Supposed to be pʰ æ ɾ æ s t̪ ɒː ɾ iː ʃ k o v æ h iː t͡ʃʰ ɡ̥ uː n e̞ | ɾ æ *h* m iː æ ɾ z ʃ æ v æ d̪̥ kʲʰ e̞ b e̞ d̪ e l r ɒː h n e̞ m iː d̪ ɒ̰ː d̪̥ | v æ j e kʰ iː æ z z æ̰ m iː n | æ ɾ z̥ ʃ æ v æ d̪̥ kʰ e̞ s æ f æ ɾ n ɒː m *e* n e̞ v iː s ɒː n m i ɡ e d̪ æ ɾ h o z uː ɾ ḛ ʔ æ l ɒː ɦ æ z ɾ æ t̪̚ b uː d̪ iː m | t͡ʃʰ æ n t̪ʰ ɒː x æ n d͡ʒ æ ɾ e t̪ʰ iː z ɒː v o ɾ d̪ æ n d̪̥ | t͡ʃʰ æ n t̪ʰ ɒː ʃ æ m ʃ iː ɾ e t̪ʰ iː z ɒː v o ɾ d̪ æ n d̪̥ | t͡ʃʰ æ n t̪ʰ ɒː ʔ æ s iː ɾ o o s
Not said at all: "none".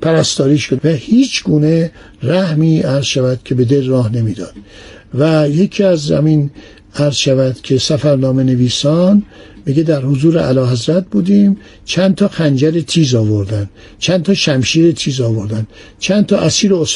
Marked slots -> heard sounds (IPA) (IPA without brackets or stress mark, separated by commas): h, e